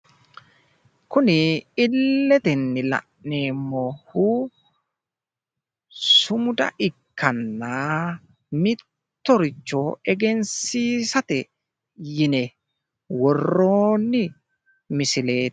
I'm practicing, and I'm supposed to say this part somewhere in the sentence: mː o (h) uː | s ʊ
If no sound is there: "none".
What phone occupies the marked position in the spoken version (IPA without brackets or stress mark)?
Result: h